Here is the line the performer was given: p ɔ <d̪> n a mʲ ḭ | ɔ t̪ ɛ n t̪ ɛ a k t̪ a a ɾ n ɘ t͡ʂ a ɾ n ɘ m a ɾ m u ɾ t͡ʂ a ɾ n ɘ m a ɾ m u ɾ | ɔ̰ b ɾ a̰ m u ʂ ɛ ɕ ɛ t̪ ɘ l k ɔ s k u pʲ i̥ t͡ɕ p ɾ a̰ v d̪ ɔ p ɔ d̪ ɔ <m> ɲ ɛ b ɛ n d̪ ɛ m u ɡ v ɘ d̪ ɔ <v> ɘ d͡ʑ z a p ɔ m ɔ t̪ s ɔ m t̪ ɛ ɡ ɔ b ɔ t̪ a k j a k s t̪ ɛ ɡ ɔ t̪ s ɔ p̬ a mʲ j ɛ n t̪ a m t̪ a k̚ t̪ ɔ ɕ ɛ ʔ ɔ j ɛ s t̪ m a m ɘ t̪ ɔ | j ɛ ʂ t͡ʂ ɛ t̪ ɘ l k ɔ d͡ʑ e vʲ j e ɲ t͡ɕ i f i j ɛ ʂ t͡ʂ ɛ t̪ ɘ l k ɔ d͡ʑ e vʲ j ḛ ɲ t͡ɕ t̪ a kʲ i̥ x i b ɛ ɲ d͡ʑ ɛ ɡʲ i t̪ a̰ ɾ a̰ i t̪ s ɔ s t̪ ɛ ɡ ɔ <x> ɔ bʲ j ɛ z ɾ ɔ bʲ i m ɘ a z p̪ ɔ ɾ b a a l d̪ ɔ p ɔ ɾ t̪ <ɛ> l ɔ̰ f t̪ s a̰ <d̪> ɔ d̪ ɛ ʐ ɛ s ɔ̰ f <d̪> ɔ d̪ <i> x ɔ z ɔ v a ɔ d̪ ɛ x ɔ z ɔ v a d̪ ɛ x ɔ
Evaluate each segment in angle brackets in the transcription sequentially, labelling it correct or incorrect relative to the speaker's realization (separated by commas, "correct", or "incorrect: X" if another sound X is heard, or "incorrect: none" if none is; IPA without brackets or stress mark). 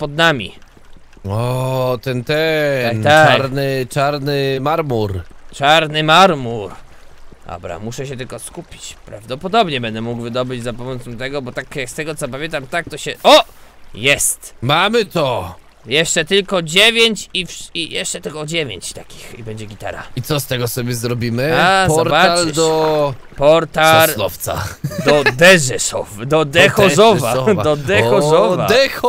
correct, incorrect: b, incorrect: b, incorrect: s, incorrect: a, correct, correct, incorrect: ɛ